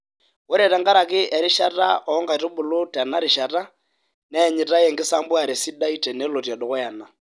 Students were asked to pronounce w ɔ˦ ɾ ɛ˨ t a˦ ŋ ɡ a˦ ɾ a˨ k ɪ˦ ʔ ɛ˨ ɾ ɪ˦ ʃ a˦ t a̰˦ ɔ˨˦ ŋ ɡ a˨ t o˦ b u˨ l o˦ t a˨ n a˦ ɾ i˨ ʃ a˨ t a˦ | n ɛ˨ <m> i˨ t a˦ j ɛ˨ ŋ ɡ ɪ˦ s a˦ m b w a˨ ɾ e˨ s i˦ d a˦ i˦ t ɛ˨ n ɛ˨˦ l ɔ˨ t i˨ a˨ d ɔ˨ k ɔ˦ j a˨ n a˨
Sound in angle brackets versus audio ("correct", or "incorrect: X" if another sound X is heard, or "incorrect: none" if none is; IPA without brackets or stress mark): incorrect: ɲ